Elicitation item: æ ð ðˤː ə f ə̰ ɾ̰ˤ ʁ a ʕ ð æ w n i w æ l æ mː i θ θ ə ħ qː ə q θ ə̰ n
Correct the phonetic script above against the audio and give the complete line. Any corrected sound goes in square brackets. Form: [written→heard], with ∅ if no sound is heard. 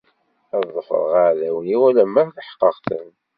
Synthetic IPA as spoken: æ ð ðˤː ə f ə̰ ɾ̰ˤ ʁ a ʕ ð æ w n i w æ l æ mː [i→æ] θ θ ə ħ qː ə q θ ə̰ n